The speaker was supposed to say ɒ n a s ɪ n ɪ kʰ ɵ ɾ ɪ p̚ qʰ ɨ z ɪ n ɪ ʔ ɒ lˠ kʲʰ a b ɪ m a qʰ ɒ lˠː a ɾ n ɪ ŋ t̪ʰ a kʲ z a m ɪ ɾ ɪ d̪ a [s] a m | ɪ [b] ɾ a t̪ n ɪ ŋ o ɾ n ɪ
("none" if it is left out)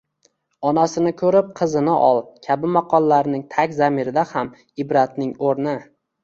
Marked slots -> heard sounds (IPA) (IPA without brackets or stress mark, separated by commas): h, b